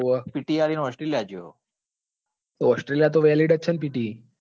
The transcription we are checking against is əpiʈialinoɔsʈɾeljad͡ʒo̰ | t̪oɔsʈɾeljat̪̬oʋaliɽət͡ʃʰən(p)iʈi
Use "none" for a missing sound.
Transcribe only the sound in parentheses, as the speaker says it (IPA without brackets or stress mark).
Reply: p